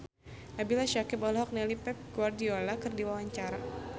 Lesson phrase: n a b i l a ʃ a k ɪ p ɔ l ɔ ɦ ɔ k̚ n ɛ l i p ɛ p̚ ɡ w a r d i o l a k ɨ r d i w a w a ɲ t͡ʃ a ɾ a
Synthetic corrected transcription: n a b i l a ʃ a k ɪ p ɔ l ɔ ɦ ɔ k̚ n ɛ l i p ɛ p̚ ɡ w a r d i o l a k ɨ r d i w a w a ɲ t͡ʃ a ɾ a